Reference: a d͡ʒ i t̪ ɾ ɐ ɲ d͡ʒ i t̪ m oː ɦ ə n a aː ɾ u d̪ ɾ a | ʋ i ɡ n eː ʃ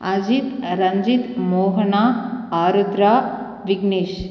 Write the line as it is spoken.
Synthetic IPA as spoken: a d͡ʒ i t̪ ɾ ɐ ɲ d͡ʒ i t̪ m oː ɦ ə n a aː ɾ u d̪ ɾ a | ʋ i ɡ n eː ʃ

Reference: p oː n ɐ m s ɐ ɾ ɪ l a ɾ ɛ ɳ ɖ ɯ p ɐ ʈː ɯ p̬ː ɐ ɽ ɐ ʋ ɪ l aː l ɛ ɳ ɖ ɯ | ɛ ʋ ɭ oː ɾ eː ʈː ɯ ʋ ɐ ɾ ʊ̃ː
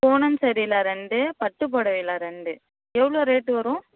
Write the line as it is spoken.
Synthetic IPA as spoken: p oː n ɐ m s ɐ ɾ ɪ l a ɾ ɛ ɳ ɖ ɯ p ɐ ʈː ɯ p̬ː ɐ ɽ ɐ ʋ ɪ l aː ɾ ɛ ɳ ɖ ɯ | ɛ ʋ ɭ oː ɾ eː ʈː ɯ ʋ ɐ ɾ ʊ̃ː

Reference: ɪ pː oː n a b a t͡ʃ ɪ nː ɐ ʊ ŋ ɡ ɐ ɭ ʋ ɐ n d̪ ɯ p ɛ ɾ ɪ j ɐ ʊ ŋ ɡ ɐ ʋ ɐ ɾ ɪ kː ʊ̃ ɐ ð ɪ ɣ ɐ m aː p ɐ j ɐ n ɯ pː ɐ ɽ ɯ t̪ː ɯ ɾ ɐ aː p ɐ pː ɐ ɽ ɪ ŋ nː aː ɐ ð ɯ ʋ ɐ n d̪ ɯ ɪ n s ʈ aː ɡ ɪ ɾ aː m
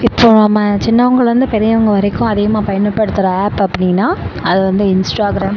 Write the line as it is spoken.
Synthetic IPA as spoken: ɪ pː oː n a m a t͡ʃ ɪ nː ɐ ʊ ŋ ɡ ɐ ɭ ʋ ɐ n d̪ ɯ p ɛ ɾ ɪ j ɐ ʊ ŋ ɡ ɐ ʋ ɐ ɾ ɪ kː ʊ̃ ɐ ð ɪ ɣ ɐ m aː p ɐ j ɐ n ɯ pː ɐ ɽ ɯ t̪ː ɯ ɾ ɐ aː p ɐ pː ɐ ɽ ɪ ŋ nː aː ɐ ð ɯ ʋ ɐ n d̪ ɯ ɪ n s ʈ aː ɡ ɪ ɾ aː m

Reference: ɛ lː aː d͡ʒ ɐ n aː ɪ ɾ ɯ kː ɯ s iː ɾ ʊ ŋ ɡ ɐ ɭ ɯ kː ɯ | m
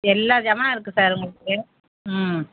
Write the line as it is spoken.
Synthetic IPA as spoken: ɛ lː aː d͡ʒ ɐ m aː ɪ ɾ ɯ kː ɯ s aː ɾ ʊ ŋ ɡ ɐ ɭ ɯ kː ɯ | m

